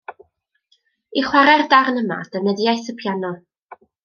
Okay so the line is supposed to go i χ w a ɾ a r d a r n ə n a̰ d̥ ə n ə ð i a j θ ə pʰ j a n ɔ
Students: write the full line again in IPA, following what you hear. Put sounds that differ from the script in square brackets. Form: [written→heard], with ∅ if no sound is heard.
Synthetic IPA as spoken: i χ w a ɾ [a→ɛ] r d a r n ə [n→m] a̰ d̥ ə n ə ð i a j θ ə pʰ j a n ɔ

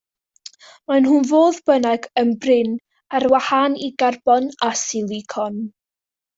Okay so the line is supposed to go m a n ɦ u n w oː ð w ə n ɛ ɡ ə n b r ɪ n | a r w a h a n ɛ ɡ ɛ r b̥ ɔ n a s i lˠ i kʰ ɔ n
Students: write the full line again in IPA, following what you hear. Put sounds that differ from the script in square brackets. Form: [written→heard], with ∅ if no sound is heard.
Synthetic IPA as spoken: m a n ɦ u n [w→v] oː ð [w→b] ə n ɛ ɡ ə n b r ɪ n | a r w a h a n [ɛ→i] ɡ [ɛ→a] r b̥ ɔ n a s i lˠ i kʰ ɔ n

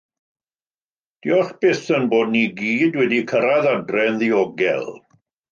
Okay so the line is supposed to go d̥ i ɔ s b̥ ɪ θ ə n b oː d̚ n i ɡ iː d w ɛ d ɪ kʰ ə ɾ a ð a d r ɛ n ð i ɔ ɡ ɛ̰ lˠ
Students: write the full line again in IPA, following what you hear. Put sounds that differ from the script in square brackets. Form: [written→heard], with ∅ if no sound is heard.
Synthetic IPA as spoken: d̥ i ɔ [s→χ] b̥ ɪ θ ə n b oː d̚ n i ɡ iː d w ɛ d [ɪ→i] kʰ ə ɾ a ð a d r ɛ n ð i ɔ ɡ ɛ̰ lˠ

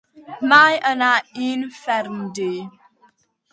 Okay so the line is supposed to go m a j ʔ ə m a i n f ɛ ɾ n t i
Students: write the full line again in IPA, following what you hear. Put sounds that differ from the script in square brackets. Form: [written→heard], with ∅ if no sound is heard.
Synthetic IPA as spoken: m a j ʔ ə [m→n] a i n f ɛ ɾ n [t→d] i

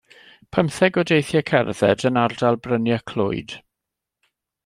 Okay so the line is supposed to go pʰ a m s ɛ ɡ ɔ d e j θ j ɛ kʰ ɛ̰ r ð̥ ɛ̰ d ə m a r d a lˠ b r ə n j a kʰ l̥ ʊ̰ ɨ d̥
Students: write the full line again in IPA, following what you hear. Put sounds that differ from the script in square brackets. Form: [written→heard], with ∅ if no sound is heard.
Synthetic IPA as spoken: pʰ [a→ə] m [s→θ] ɛ ɡ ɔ d e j θ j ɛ kʰ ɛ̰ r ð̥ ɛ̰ d ə [m→n] a r d a lˠ b r ə n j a kʰ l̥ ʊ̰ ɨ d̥

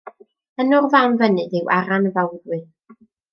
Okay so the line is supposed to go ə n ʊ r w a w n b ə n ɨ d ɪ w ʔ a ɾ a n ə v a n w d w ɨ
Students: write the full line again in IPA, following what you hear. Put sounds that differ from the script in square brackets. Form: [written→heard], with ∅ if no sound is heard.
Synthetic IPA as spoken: ə n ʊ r [w→v] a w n [b→v] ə n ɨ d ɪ w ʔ a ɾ a n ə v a [n→∅] w d w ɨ

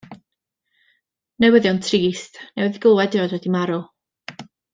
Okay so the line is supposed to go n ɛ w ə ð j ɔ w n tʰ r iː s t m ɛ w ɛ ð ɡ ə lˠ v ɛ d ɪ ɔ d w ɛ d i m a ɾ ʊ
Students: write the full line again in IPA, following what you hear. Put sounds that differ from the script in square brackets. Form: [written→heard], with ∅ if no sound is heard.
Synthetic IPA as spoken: n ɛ w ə ð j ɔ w n tʰ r iː s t [m→n] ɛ w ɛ ð ɡ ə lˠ [v→w] ɛ d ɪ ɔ d w ɛ d i m a ɾ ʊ

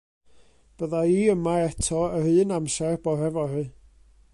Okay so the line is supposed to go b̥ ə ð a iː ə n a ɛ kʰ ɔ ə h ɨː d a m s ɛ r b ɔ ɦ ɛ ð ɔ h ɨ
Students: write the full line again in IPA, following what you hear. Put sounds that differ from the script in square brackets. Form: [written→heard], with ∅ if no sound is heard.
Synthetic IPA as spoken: b̥ ə ð a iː ə [n→m] a ɛ [kʰ→tʰ] ɔ ə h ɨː [d→n] a m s ɛ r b ɔ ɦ ɛ [ð→v] ɔ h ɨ

